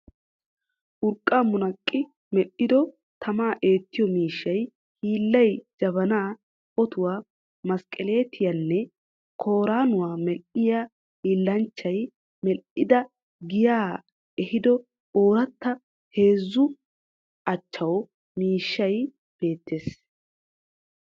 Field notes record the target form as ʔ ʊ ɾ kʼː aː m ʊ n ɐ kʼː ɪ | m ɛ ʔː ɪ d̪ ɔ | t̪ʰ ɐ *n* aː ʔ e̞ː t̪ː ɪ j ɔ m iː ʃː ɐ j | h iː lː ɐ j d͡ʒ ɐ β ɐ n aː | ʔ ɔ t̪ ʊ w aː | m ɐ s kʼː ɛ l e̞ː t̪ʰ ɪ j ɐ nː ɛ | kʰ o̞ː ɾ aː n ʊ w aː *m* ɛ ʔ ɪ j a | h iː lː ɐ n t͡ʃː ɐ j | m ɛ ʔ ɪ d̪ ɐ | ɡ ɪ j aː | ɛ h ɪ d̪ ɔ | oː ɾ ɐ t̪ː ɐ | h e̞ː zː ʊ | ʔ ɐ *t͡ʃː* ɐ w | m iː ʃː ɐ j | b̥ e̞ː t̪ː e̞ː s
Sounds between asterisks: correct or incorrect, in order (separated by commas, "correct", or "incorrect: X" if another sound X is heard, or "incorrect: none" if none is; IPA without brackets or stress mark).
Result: incorrect: m, correct, correct